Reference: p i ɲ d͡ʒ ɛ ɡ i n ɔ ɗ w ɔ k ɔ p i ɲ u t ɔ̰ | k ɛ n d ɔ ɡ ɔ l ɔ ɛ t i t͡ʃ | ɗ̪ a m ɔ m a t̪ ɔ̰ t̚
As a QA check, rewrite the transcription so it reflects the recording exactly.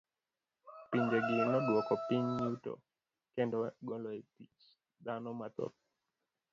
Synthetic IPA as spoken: p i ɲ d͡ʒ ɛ ɡ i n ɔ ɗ w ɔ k ɔ p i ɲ u t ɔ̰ | k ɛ n d ɔ ɡ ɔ l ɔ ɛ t i t͡ʃ | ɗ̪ a n ɔ m a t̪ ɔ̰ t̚